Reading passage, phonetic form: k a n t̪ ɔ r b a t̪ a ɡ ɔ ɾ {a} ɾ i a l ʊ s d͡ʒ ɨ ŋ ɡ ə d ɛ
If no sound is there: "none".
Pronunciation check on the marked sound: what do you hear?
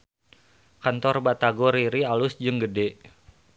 i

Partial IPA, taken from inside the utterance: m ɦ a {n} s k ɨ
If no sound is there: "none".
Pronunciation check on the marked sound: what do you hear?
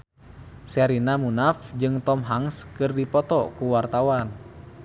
ŋ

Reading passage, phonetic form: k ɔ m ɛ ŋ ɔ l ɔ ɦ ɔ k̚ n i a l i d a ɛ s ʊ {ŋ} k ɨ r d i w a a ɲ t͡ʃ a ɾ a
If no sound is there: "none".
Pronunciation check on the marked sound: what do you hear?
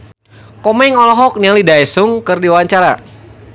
ŋ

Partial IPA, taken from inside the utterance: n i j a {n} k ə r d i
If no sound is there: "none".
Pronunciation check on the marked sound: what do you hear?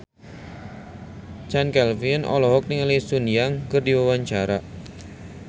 ŋ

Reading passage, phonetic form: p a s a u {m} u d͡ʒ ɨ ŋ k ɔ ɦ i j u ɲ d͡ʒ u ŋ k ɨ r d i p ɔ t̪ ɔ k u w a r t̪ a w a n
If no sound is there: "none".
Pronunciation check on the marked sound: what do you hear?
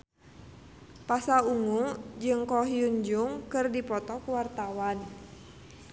ŋ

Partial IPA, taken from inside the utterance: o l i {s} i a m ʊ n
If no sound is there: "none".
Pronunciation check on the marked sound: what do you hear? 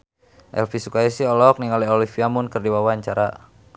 f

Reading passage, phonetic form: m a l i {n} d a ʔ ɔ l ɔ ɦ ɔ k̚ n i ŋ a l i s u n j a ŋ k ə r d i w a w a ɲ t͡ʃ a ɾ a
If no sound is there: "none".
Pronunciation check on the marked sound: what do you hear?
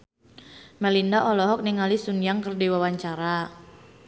n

